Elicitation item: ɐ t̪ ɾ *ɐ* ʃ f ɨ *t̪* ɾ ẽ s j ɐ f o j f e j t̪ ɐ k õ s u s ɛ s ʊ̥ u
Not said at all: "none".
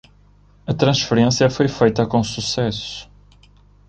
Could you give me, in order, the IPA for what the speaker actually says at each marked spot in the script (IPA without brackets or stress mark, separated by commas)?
ɐ̃, none